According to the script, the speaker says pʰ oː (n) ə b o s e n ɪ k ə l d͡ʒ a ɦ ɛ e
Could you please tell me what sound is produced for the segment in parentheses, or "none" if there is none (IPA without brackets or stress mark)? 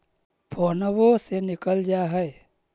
n